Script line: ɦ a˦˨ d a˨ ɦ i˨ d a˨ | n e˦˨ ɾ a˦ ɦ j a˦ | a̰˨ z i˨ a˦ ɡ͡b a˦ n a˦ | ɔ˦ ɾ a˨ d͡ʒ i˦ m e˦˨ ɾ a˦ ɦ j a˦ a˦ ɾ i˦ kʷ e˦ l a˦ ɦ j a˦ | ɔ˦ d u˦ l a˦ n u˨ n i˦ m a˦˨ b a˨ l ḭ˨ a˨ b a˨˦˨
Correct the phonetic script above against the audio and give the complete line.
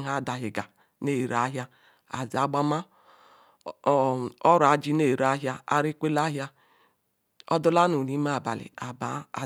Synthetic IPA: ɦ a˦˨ d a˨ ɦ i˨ ɡ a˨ | n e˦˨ ɾ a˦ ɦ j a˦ | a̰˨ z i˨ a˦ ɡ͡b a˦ m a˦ | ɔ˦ ɾ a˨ d͡ʒ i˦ n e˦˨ ɾ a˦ ɦ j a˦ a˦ ɾ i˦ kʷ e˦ l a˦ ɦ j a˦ | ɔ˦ d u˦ l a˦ n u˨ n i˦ m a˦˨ b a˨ l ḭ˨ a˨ b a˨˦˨

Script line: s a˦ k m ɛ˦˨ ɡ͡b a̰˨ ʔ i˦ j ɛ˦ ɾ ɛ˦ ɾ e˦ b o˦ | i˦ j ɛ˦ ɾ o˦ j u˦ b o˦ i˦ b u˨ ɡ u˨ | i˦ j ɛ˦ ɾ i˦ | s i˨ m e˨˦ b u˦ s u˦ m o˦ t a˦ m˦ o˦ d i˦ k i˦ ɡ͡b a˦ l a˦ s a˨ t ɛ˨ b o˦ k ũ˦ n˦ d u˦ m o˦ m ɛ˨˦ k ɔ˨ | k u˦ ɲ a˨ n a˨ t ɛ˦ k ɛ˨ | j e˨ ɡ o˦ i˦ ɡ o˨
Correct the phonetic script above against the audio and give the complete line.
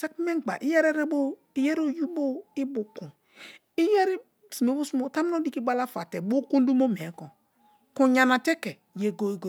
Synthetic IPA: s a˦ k m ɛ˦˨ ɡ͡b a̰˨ ʔ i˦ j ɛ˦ ɾ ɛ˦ ɾ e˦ b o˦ | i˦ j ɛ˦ ɾ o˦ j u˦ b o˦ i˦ b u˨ k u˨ | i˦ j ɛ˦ ɾ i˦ | s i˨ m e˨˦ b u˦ s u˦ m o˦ t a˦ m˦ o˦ d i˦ k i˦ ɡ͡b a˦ l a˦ f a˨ t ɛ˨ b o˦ k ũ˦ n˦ d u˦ m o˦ m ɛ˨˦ k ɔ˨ | k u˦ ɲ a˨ n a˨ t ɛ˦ k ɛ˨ | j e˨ ɡ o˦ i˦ ɡ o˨

